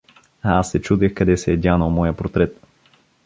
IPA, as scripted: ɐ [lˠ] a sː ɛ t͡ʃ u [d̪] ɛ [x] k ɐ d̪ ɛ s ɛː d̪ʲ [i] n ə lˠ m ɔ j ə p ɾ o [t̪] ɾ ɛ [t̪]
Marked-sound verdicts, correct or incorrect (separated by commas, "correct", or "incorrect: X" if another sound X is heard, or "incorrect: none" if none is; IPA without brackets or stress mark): incorrect: none, correct, correct, incorrect: a, correct, correct